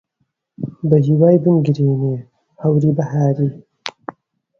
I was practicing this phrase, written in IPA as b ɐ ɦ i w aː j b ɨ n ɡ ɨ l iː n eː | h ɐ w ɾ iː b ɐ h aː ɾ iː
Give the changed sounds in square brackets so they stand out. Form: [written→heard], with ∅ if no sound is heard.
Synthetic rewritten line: b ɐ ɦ i w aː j b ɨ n ɡ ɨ [l→ɾ] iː n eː | h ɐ w ɾ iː b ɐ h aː ɾ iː